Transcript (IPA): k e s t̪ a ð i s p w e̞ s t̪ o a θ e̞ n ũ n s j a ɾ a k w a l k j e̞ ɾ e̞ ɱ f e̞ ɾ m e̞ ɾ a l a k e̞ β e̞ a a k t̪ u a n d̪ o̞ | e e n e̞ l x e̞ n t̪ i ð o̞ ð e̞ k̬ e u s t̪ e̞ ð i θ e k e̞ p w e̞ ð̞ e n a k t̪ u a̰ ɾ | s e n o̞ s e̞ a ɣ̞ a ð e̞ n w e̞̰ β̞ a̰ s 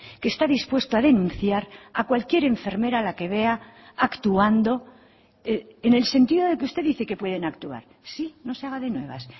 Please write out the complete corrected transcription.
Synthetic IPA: k e s t̪ a ð i s p w e̞ s t̪ o a ð e̞ n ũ n θ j a ɾ a k w a l k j e̞ ɾ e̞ ɱ f e̞ ɾ m e̞ ɾ a l a k e̞ β e̞ a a k t̪ u a n d̪ o̞ | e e n e̞ l s e̞ n t̪ i ð o̞ ð e̞ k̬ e u s t̪ e̞ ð i θ e k e̞ p w e̞ ð̞ e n a k t̪ u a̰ ɾ | s i n o̞ s e̞ a ɣ̞ a ð e̞ n w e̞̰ β̞ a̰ s